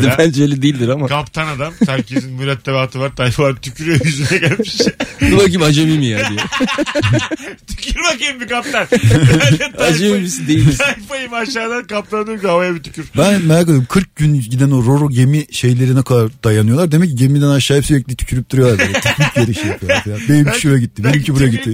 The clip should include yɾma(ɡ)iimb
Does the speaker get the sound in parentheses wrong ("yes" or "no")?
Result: yes